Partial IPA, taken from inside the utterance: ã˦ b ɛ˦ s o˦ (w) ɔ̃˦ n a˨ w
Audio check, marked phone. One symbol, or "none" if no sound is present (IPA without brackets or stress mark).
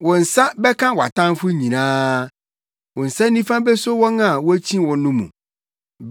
w